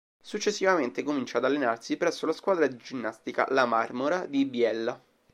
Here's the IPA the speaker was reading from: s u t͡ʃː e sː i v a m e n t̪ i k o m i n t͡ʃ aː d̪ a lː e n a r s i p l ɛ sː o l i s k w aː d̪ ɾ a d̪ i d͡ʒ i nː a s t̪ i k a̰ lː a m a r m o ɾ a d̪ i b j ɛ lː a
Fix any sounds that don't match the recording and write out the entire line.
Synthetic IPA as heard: s u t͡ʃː e sː i v a m e n t̪ e k o m i n t͡ʃ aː d̪ a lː e n a r s i p ɾ ɛ sː o l a s k w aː d̪ ɾ a d̪ i d͡ʒ i nː a s t̪ i k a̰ l a m a r m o ɾ a d̪ i b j ɛ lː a